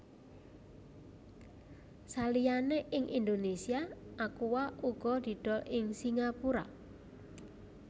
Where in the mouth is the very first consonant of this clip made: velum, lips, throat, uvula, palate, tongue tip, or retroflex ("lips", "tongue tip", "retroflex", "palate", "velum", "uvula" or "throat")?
tongue tip